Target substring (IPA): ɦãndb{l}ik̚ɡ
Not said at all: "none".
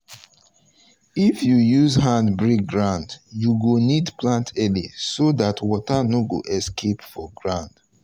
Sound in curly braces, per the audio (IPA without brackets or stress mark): ɹ